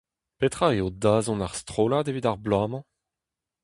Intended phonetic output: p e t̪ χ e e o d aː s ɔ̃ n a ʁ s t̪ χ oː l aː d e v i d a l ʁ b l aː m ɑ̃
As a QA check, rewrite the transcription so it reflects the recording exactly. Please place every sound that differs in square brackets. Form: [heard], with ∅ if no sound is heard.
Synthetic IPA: p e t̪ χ [a] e o d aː [z] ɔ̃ n a ʁ s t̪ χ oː l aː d e v i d a [∅] ʁ b l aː m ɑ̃